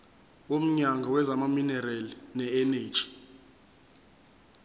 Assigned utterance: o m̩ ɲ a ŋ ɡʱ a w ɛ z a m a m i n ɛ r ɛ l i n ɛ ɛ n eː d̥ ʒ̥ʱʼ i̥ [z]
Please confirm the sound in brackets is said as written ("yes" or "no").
no